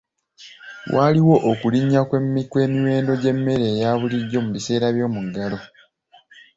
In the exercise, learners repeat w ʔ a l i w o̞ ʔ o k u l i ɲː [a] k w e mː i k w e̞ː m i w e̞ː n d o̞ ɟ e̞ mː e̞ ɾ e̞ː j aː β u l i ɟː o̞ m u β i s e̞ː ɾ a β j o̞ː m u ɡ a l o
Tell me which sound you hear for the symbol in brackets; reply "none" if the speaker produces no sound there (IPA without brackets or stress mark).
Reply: a